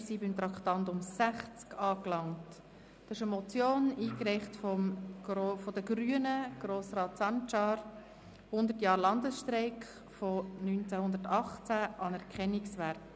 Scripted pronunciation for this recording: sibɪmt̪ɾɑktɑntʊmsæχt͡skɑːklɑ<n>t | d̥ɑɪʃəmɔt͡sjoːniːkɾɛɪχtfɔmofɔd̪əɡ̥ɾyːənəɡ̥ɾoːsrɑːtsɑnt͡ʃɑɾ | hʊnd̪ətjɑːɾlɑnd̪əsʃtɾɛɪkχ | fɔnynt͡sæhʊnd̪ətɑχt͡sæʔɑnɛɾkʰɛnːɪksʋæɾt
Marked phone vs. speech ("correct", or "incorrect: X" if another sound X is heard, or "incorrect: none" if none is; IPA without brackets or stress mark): incorrect: ŋ